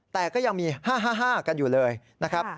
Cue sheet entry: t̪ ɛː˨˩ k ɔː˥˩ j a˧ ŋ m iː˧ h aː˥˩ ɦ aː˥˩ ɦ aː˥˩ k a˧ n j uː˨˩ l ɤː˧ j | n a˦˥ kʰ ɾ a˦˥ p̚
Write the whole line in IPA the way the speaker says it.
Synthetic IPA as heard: t̪ ɛː˨˩ k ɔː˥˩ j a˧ ŋ m iː˧ h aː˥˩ ɦ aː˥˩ ɦ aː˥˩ k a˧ n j uː˨˩ l ɤː˧ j | n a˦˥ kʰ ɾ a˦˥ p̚